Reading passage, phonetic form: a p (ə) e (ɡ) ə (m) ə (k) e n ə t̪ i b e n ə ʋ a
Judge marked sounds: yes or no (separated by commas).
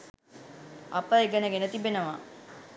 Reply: yes, yes, no, no